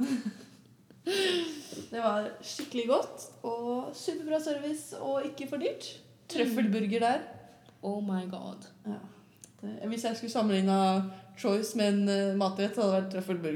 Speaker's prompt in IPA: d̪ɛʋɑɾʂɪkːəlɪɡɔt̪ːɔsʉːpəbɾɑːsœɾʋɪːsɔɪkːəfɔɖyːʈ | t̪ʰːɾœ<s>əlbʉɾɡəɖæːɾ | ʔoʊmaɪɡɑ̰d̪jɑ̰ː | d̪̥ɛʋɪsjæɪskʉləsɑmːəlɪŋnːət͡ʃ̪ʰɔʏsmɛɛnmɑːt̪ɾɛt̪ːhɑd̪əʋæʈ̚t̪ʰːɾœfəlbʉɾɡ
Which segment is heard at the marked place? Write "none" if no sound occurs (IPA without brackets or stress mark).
f